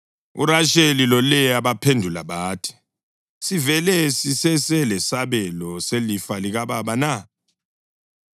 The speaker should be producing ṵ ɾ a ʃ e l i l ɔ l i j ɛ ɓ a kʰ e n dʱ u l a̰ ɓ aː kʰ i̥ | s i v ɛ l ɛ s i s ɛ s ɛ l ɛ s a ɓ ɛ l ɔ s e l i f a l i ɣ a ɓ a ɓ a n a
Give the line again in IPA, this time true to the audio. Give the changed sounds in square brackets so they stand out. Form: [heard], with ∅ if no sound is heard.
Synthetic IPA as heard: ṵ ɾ a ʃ e l i l ɔ l [ɛ] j [a] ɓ a [pʰ] e n dʱ u l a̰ ɓ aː [tʰ] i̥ | s i v ɛ l ɛ s i s ɛ s ɛ l ɛ s a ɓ ɛ l ɔ s e l i f a l i ɣ a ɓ a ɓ a n a